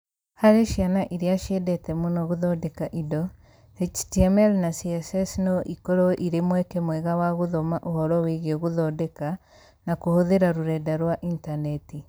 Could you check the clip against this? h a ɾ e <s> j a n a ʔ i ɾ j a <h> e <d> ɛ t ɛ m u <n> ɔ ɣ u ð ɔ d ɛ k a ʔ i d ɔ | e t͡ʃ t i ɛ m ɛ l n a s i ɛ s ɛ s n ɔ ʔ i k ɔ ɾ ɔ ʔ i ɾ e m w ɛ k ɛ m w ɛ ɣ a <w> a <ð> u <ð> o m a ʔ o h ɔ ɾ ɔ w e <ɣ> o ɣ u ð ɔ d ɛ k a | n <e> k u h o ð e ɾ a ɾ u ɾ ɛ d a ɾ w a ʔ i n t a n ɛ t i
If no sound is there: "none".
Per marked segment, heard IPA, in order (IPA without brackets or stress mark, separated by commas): ʃ, ʃ, d, n, w, ɣ, ð, ɣ, a